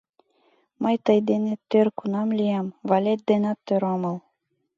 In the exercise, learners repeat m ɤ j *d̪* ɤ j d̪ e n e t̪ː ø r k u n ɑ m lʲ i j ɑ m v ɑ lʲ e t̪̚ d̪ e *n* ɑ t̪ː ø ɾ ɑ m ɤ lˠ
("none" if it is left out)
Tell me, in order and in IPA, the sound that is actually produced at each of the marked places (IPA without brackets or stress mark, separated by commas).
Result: t̪, n